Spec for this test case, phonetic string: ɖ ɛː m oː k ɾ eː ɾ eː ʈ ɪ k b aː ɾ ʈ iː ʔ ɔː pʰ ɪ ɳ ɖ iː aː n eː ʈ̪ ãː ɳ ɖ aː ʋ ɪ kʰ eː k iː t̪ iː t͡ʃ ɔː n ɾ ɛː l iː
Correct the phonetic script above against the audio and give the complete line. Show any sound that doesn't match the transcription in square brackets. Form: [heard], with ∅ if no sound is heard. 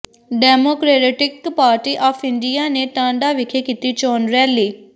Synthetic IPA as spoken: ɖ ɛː m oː k ɾ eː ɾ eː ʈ ɪ k [p] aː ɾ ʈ iː ʔ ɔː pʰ ɪ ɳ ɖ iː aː n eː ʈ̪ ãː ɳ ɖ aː ʋ ɪ kʰ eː k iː t̪ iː t͡ʃ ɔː n ɾ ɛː l iː